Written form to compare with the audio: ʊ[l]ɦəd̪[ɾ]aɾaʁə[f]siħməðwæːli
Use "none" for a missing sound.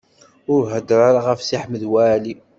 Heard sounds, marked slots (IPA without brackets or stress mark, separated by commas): ɾ, ɾ, f